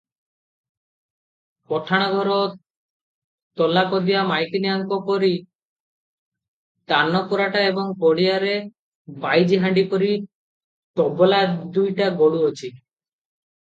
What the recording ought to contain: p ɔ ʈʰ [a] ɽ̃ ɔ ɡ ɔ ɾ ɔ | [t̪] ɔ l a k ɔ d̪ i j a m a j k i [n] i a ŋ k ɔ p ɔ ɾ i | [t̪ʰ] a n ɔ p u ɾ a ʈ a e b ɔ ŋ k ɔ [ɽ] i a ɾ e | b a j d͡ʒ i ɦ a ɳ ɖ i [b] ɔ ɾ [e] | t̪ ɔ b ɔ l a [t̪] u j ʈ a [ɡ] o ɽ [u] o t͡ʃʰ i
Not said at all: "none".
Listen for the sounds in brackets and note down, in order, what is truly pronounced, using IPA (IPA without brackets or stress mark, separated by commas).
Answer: a, t̪, n, t̪, ɽ, p, i, d̪, ɡ, u